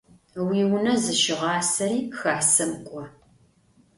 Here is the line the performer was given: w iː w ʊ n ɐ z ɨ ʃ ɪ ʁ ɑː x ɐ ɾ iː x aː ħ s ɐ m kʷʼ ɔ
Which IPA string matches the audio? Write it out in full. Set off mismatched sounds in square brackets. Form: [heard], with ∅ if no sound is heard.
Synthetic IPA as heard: w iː w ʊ n ɐ z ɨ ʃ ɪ ʁ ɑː [s] ɐ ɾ iː x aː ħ s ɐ m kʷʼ ɔ